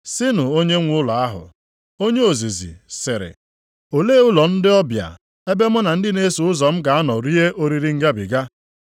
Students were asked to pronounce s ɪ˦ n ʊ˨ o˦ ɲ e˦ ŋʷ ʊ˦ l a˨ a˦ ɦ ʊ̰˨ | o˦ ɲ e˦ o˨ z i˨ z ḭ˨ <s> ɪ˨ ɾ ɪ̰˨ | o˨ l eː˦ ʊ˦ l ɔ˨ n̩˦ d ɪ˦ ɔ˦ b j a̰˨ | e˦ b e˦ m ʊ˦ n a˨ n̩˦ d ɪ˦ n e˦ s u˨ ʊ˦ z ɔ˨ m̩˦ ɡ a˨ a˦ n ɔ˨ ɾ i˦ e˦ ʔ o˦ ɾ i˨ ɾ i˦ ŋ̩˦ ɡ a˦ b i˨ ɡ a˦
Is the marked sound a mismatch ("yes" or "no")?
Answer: no